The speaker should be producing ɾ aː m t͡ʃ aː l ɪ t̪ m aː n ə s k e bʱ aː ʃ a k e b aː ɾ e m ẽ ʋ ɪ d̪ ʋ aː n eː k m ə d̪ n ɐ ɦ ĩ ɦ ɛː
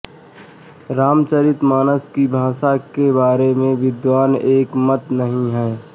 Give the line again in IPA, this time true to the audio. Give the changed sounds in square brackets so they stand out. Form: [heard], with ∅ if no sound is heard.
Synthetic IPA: ɾ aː m t͡ʃ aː [ɾ] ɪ t̪ m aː n ə s k [i] bʱ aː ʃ a k e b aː ɾ e m ẽ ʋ ɪ d̪ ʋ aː n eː k m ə [t̪] n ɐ ɦ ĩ ɦ ɛː